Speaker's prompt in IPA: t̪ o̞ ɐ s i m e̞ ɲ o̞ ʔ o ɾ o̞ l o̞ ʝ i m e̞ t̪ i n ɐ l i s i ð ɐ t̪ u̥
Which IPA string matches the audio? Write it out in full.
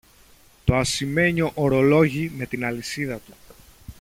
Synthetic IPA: t̪ o̞ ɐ s i m e̞ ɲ o̞ ʔ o ɾ o̞ l o̞ ʝ i m e̞ t̪ i n ɐ l i s i ð ɐ t̪ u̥

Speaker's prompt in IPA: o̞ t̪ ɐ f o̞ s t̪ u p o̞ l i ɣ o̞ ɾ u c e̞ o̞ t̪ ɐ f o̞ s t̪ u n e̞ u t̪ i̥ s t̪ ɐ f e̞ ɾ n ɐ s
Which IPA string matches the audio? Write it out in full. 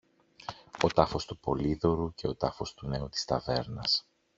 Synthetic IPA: o̞ t̪ ɐ f o̞ s t̪ u p o̞ l i ð o̞ ɾ u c e̞ o̞ t̪ ɐ f o̞ s t̪ u n e̞ u t̪ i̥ s t̪ ɐ v e̞ ɾ n ɐ s

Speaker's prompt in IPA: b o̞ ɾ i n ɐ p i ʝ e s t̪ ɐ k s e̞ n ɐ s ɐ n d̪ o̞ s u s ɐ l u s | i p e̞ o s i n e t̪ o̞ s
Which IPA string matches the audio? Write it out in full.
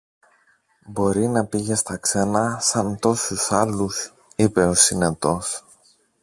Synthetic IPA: b o̞ ɾ i n ɐ p i ʝ e s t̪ ɐ k s e̞ n ɐ s ɐ n t̪ o̞ s u s ɐ l u s | i p e̞ o s i n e t̪ o̞ s

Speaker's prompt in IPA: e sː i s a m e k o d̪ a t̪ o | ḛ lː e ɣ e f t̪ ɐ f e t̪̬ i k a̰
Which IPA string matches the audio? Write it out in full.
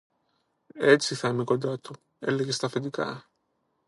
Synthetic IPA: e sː i θ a m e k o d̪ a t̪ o | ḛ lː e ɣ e s t̪ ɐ f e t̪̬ i k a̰

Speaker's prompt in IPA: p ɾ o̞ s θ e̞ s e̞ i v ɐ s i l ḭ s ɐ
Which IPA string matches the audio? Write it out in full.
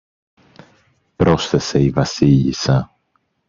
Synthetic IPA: p ɾ o̞ s θ e̞ s e̞ i v ɐ s i ʎ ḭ s ɐ

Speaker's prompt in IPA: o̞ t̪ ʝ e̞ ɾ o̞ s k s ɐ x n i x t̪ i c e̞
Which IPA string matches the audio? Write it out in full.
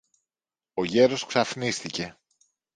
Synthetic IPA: o̞ ʝ e̞ ɾ o̞ s k s ɐ f n i s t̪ i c e̞

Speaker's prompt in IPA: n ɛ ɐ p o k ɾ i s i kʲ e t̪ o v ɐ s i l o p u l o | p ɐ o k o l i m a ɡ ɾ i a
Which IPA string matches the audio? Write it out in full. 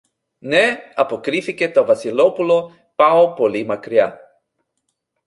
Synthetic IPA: n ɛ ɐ p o k ɾ i f i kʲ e t̪ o v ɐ s i l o p u l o | p a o p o l i m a k ɾ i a

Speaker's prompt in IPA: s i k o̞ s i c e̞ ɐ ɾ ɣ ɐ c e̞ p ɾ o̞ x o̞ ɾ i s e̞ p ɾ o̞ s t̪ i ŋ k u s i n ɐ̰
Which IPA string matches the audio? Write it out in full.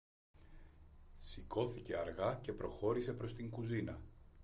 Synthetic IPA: s i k o̞ θ i c e̞ ɐ ɾ ɣ ɐ c e̞ p ɾ o̞ x o̞ ɾ i s e̞ p ɾ o̞ s t̪ i ŋ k u z i n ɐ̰

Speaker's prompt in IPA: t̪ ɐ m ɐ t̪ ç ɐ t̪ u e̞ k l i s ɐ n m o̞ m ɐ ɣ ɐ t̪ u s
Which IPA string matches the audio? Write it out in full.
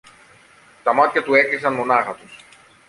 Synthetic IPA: t̪ ɐ m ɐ t̪ ç ɐ t̪ u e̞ k l i s ɐ n m o̞ n ɐ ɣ ɐ t̪ u s

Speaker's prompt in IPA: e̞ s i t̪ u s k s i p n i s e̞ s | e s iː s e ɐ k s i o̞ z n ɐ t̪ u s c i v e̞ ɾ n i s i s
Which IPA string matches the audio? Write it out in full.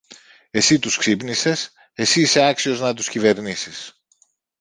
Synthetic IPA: e̞ s i t̪ u s k s i p n i s e̞ s | e s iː s e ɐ k s i o̞ z n ɐ t̪ u s c i v e̞ ɾ n i s i s

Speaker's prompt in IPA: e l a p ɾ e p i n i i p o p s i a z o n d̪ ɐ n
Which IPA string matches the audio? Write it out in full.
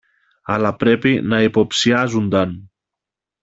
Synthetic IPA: a l a p ɾ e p i n a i p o p s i a z u n d̪ a n

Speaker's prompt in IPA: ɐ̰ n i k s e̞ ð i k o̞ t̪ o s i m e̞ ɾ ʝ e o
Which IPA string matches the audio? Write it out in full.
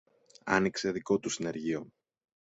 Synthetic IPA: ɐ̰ n i k s e̞ ð i k o̞ t̪ u s i n e̞ ɾ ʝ i o

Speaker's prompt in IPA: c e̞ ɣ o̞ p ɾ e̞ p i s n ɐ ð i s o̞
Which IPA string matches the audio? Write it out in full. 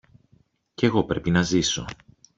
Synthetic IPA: c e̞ ɣ o̞ p ɾ e̞ p i n ɐ z i s o̞

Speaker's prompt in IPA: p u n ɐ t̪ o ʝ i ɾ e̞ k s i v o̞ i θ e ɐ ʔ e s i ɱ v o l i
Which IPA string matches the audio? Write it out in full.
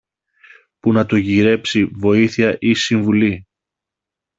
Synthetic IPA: p u n ɐ t̪ o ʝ i ɾ e̞ p s i v o̞ i θ i ɐ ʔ i s i ɱ v u l i

